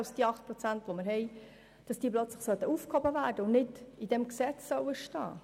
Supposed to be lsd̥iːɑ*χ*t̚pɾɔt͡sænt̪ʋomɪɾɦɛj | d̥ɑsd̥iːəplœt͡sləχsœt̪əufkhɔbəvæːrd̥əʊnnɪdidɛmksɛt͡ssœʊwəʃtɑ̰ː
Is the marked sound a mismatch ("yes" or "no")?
no